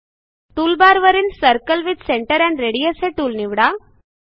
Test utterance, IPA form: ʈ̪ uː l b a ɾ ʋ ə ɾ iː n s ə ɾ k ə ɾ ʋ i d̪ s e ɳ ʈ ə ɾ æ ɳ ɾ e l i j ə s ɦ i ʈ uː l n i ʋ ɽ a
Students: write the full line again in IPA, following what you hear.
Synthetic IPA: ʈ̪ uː l b a ɾ ʋ ə ɾ iː n s ə ɾ k ə l ʋ i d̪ s e ɳ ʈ ə ɾ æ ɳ ɾ e ɽ i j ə s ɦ e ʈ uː l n i ʋ ɽ a

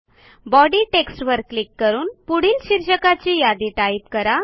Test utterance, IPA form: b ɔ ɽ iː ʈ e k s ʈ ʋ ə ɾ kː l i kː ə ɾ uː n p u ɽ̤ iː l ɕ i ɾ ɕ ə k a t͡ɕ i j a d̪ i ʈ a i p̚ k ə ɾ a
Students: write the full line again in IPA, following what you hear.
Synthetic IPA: b ɔ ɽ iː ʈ e k s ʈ ʋ ə ɾ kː l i kː ə ɾ uː n p u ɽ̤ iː l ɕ i ɾ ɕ ə k a t͡ɕ i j a d̪ i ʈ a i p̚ k ə ɾ a

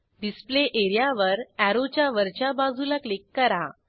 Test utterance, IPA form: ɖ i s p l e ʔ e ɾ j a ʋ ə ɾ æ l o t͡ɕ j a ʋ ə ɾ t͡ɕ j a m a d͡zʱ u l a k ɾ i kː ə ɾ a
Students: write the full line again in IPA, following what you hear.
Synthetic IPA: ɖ i s p l e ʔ e ɾ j a ʋ ə ɾ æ ɾ o t͡ɕ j a ʋ ə ɾ t͡ɕ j a b a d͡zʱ u l a k l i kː ə ɾ a

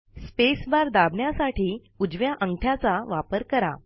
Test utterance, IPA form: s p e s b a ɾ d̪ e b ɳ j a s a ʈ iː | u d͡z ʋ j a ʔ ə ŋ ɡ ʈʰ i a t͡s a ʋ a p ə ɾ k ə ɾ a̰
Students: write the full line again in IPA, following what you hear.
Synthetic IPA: s p e s b a ɾ d̪ a b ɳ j a s a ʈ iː | u d͡z ʋ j a ʔ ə ŋ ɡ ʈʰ j a t͡s a ʋ a p ə ɾ k ə ɾ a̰

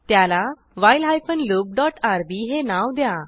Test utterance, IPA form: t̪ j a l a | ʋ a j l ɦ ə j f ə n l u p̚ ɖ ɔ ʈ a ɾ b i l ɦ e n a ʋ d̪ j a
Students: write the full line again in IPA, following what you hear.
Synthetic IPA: t̪ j a l a | ʋ a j l ɦ a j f ə n l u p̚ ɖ ɔ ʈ a ɾ b i ɦ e n a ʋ d̪ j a

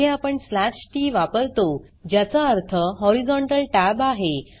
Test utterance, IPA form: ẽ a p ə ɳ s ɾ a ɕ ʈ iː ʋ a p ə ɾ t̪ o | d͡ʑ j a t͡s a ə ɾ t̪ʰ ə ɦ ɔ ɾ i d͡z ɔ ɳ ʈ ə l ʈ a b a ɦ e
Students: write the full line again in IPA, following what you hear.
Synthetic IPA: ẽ a p ə ɳ s l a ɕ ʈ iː ʋ a p ə ɾ t̪ o | d͡ʑ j a t͡s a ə ɾ t̪ʰ ə ɦ ɔ ɾ i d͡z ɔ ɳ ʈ ə l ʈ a b a ɦ e

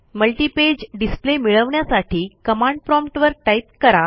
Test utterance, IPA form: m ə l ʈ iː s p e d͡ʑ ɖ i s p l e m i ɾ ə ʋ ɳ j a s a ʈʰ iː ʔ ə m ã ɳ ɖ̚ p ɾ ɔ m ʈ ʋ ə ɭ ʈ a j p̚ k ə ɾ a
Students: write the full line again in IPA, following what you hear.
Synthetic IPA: m ə l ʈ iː p e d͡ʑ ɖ i s p l e m i ɭ ə ʋ ɳ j a s a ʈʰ iː k ə m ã ɳ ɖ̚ p ɾ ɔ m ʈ ʋ ə ɾ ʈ a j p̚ k ə ɾ a

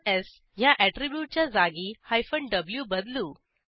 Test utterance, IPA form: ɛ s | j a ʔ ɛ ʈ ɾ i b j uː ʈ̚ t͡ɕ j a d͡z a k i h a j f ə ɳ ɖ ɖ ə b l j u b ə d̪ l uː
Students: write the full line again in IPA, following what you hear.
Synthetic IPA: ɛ s | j a ʔ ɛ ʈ ɾ i b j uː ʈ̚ t͡ɕ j a d͡z a ɡ i h a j f ə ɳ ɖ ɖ ə b l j u b ə d̪ l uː

